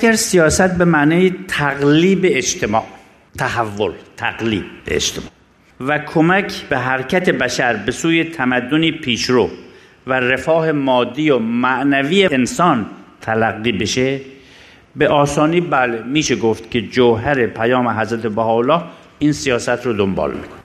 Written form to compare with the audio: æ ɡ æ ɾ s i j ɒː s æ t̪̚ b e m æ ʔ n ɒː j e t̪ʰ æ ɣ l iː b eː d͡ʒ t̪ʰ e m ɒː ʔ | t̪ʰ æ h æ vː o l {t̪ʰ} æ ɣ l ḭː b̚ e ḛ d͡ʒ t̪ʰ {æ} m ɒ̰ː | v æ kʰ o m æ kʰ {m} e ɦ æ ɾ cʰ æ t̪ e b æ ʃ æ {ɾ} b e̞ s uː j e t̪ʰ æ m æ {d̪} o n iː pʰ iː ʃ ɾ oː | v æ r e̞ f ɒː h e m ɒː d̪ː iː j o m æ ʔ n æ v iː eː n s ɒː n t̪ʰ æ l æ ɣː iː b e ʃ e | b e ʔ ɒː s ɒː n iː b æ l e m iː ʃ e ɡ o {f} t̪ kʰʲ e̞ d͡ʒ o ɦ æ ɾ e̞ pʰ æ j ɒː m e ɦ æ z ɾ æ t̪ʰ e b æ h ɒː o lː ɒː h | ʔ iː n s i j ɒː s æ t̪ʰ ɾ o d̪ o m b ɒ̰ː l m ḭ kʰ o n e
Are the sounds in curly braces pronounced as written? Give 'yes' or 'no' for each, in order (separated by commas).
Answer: yes, no, no, yes, no, yes